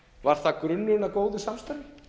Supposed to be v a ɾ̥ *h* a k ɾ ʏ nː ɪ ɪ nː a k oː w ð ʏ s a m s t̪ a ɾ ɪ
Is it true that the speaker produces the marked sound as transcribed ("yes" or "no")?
no